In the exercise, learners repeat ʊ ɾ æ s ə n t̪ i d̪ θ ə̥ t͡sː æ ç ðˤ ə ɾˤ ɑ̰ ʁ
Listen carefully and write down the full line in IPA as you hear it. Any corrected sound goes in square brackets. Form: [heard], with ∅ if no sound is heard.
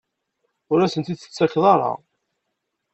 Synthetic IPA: ʊ ɾ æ s ə n t̪ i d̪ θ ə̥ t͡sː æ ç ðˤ [ɑ] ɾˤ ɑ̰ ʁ

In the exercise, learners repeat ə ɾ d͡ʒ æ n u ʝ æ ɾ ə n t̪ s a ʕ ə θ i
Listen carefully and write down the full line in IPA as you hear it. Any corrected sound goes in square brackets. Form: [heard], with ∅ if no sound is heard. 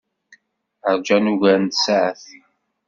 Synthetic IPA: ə ɾ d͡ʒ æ n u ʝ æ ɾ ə n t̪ s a ʕ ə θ i

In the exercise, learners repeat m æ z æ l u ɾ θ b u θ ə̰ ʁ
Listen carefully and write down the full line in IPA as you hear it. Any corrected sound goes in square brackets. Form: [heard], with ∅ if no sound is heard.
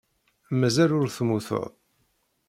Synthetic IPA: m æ z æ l [ʊ] ɾ θ [m] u θ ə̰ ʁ

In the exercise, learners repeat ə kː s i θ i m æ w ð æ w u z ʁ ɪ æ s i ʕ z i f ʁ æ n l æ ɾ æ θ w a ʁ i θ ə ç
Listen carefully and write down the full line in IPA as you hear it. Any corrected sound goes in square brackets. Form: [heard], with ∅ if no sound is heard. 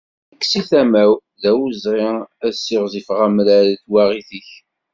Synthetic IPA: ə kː s i θ [æ] m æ w ð æ w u z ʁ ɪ æ s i [ʁ] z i f ʁ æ [m] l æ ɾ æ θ w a ʁ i θ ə ç

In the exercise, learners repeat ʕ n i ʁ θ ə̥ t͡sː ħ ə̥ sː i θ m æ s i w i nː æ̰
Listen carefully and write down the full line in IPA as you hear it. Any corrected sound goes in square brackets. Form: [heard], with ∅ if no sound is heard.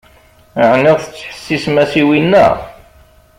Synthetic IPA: ʕ n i ʁ θ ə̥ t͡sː ħ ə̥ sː i [s] m æ s i w i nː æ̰

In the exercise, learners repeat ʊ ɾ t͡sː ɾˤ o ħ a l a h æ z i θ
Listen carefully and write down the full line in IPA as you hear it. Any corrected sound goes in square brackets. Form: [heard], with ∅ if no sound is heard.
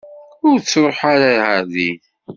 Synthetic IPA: ʊ ɾ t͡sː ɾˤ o ħ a [ɾ] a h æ [ð] i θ

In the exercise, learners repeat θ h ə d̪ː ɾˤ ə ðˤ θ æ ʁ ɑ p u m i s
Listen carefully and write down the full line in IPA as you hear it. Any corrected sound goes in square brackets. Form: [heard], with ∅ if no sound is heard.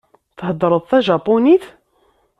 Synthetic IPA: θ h ə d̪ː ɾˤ ə ðˤ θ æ [ʒ] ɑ p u [n] i [θ]

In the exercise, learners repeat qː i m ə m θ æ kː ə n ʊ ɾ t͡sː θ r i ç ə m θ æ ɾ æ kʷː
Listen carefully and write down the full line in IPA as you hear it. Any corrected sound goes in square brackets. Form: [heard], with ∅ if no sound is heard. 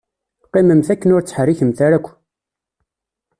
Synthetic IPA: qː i m ə m θ æ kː ə n ʊ ɾ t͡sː [ħ] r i ç ə m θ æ ɾ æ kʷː

